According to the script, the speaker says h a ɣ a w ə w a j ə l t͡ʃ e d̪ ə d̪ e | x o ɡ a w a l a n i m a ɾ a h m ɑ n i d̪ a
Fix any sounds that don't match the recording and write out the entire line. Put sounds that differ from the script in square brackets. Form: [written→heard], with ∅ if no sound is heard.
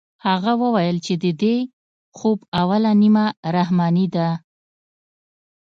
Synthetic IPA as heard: h a ɣ a w ə w a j ə l t͡ʃ e d̪ ə d̪ e | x o [ɡ→b] a w a l a n i m a ɾ a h m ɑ n i d̪ a